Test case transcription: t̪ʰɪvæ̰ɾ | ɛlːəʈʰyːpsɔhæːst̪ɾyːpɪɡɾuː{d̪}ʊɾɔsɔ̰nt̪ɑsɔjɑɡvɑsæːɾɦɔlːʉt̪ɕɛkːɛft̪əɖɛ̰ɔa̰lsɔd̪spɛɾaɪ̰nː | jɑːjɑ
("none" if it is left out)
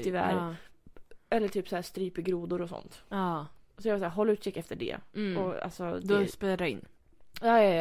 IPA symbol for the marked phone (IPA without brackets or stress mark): d̪